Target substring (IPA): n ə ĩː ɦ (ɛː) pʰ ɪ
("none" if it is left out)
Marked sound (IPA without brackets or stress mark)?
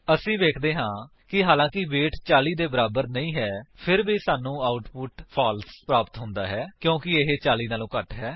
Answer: ɛː